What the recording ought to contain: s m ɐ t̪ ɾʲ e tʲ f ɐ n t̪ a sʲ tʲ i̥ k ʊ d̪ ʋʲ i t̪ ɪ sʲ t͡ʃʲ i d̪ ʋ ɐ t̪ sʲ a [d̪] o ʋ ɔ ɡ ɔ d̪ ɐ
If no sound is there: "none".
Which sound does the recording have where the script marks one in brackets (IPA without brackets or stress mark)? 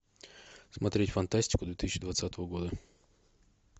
t̪